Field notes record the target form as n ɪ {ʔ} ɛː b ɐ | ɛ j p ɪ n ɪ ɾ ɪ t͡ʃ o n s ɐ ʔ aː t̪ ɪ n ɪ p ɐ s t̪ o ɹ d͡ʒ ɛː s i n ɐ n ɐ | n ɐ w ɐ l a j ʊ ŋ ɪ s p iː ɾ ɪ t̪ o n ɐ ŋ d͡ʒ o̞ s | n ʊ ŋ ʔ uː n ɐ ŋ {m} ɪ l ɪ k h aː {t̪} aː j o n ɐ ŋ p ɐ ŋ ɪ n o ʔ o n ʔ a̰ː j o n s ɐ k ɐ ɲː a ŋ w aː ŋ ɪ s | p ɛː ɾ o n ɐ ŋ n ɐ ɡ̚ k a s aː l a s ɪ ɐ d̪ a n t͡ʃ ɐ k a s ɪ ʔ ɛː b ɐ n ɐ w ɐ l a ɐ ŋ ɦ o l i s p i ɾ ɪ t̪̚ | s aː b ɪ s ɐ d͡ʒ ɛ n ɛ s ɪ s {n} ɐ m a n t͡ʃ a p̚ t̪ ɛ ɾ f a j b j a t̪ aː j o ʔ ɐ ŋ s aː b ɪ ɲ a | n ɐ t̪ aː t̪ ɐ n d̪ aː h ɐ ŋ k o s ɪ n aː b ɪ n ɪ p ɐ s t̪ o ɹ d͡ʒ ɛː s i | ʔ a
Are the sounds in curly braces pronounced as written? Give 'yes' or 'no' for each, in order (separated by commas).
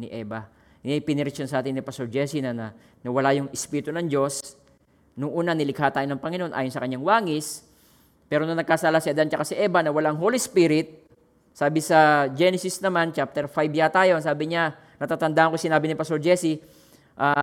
yes, no, yes, yes